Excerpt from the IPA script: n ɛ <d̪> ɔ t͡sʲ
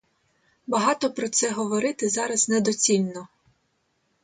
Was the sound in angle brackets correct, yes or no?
yes